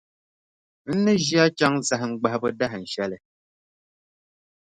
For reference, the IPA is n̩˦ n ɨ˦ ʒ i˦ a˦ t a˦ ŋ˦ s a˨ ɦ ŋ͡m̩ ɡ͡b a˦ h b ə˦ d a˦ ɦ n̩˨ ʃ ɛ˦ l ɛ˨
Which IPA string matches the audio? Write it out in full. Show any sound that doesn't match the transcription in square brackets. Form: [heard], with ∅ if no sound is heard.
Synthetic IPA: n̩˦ n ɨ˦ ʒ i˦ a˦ [t͡ʃ] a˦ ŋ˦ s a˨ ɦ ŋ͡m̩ ɡ͡b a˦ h b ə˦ d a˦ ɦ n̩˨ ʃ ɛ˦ l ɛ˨